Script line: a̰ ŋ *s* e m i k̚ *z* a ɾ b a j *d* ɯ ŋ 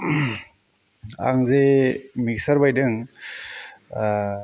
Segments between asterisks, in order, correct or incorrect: incorrect: z, incorrect: s, correct

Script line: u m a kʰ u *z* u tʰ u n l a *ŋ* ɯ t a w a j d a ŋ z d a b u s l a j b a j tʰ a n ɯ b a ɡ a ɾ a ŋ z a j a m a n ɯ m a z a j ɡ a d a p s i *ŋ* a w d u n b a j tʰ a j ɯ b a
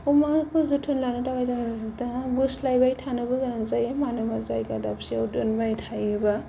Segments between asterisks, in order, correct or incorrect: correct, incorrect: n, incorrect: none

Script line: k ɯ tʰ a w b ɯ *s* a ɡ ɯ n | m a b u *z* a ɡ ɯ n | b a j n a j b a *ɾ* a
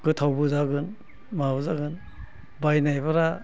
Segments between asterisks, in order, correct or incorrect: incorrect: z, correct, correct

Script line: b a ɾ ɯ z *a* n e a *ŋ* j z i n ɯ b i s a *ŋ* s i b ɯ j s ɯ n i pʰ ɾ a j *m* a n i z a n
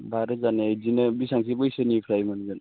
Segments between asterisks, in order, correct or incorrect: correct, incorrect: none, correct, correct

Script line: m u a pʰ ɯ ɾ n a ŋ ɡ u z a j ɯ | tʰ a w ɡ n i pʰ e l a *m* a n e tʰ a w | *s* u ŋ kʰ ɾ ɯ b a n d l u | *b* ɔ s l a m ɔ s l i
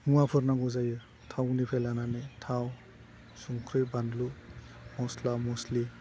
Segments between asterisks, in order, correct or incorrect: incorrect: n, correct, incorrect: m

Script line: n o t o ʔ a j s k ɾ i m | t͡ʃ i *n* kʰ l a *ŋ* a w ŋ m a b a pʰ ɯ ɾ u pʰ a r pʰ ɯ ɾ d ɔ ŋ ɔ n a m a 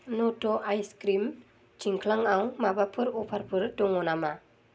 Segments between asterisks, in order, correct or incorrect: incorrect: ŋ, correct

